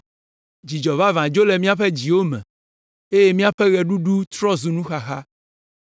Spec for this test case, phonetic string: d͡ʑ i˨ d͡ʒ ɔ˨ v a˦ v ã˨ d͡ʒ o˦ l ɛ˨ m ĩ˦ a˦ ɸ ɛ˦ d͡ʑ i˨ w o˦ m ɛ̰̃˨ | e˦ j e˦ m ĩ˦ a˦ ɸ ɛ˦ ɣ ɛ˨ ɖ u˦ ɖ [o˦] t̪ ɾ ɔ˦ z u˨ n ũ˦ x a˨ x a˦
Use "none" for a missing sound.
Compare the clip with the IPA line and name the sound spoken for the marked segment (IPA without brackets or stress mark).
u˦